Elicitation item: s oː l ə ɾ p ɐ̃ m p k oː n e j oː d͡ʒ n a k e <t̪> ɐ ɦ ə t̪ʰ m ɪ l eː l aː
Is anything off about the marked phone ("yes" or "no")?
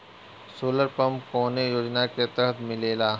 no